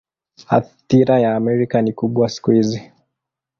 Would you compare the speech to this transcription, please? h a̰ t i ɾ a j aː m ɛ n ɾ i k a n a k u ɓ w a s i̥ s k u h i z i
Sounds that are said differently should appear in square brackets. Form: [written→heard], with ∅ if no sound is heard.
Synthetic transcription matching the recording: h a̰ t i ɾ a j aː m ɛ [n→∅] ɾ i k a n [a→i] k u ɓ w a s i̥ [s→∅] k u h i z i